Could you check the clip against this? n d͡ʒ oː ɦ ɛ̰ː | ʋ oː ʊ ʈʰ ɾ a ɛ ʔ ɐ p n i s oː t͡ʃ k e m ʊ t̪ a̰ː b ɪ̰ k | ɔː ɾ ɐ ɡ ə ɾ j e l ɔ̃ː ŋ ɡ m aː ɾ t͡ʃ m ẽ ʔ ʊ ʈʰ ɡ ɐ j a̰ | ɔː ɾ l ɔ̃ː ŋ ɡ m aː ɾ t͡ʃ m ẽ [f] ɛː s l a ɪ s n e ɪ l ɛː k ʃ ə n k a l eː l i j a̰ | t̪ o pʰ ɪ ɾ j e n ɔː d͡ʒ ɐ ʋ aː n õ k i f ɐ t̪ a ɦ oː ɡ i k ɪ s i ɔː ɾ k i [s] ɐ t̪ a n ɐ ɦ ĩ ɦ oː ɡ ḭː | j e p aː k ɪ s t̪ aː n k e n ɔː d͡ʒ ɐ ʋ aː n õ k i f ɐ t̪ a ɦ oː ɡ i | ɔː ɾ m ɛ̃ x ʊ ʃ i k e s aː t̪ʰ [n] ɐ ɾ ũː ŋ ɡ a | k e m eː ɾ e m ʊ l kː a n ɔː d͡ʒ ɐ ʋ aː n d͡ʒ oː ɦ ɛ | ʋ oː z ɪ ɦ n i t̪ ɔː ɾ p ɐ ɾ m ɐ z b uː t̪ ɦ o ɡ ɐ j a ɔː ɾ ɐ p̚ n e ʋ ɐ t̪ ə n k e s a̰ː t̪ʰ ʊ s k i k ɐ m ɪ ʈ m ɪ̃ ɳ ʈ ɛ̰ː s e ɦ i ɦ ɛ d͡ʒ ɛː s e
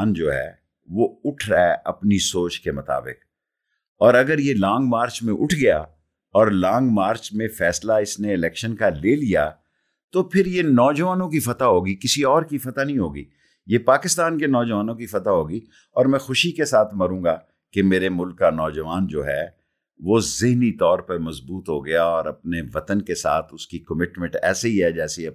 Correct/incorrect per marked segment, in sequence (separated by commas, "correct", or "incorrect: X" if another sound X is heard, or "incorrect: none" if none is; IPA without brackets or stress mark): correct, incorrect: f, incorrect: m